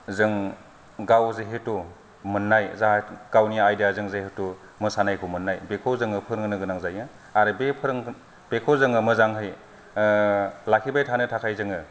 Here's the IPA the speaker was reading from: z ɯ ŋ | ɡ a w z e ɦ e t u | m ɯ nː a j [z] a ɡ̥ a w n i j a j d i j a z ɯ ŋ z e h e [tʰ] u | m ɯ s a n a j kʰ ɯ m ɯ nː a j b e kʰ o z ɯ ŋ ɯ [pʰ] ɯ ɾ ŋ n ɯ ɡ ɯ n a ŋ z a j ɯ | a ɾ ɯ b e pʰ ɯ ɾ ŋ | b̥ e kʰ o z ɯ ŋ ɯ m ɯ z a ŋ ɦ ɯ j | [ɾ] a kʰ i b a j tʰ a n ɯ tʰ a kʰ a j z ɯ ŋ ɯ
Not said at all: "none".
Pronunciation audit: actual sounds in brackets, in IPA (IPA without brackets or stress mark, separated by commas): z, t, pʰ, l